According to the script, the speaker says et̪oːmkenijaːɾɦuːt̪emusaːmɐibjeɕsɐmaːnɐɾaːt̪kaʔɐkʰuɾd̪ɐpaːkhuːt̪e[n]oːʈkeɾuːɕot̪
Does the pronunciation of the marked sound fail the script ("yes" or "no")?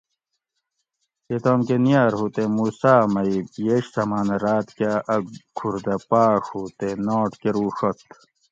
no